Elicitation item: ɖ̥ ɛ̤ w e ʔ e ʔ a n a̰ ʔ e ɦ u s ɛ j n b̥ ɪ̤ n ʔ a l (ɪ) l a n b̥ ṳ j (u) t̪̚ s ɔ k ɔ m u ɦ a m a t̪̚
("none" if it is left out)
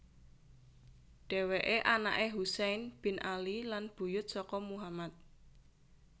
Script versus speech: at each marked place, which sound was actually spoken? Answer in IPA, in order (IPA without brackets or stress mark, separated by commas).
i, ʊ